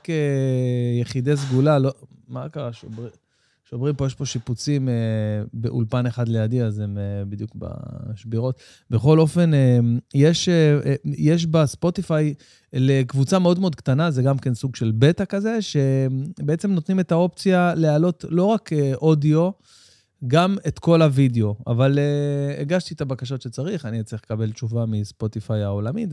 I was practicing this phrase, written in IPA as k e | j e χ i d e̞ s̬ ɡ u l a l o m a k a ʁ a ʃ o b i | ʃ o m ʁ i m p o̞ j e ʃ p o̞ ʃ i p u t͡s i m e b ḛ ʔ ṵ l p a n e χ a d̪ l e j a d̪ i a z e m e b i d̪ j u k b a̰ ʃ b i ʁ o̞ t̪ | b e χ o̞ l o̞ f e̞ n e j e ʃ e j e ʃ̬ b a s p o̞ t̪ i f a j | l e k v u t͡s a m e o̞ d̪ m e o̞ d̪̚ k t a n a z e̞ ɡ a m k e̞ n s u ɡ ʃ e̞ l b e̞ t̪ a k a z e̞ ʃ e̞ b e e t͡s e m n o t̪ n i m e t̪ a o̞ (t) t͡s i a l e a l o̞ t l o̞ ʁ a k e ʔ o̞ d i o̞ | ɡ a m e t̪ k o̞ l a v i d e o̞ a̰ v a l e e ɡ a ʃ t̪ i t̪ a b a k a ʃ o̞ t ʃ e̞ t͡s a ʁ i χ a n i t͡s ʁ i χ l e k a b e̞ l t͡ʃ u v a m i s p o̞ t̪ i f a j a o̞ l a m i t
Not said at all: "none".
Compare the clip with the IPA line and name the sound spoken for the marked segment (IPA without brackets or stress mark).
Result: p